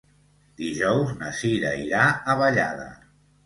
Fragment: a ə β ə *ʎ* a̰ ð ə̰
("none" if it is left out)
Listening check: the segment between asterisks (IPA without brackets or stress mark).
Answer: ʎ